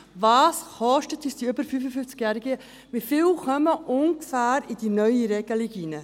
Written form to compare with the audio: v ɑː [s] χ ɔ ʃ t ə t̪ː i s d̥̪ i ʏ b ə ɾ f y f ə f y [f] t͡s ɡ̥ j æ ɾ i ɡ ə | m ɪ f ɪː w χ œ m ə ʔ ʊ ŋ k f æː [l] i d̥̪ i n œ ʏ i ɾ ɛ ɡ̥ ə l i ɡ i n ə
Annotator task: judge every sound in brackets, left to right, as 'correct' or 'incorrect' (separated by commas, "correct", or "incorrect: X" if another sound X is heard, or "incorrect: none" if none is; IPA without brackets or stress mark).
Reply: correct, correct, incorrect: ɾ